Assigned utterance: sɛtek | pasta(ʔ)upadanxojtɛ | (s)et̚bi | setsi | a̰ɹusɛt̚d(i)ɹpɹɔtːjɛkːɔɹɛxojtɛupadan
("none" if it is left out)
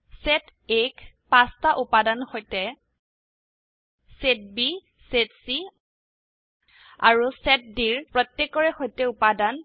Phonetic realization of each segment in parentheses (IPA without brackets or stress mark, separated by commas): ʔ, s, i